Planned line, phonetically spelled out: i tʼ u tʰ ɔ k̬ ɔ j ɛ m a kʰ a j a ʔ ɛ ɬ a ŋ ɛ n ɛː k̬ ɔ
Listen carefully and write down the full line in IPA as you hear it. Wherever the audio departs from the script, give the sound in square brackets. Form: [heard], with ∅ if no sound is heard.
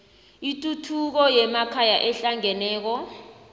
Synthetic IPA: i tʼ u tʰ [u] k̬ ɔ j ɛ m a kʰ a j a ʔ ɛ ɬ a ŋ ɛ n ɛː k̬ ɔ